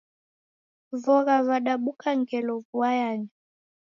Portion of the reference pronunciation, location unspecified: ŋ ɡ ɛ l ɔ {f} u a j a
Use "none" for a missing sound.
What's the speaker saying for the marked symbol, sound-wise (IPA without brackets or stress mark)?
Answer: v